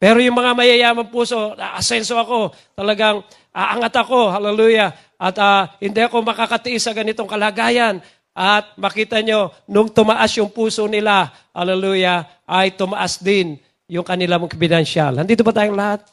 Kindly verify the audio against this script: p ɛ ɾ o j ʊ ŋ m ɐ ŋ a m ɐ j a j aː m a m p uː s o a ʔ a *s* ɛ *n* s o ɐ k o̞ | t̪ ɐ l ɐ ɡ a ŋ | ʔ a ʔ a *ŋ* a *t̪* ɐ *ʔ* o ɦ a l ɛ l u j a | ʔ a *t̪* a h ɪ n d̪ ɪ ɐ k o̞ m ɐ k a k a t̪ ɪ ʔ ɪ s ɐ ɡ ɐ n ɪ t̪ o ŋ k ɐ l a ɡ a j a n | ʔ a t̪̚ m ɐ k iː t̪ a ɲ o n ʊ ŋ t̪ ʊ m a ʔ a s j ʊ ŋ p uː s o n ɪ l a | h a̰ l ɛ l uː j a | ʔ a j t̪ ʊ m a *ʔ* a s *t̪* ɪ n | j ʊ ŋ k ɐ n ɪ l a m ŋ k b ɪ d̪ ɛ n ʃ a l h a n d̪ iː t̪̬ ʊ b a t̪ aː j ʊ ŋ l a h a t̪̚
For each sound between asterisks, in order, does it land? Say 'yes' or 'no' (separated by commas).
yes, yes, yes, yes, no, yes, yes, no